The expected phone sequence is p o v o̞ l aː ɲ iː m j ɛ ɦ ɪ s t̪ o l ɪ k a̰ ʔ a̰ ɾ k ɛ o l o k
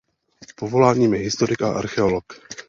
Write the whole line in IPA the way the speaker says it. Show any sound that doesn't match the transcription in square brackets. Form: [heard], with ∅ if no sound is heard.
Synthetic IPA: p o v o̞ l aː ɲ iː m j ɛ ɦ ɪ s t̪ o [ɾ] ɪ k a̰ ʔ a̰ ɾ [x] ɛ o l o k